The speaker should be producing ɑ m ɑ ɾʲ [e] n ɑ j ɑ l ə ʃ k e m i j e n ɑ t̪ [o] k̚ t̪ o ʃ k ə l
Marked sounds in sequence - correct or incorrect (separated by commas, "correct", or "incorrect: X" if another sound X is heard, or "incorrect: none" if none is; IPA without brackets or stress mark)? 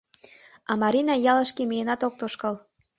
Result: incorrect: i, correct